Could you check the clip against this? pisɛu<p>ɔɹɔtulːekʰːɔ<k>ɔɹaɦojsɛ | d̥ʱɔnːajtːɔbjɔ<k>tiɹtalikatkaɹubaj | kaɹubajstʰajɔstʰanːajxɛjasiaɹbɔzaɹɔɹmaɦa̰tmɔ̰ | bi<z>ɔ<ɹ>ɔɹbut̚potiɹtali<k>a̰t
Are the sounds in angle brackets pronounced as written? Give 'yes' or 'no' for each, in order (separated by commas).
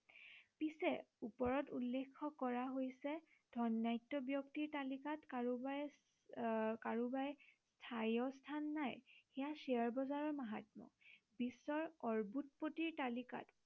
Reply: yes, yes, yes, no, yes, yes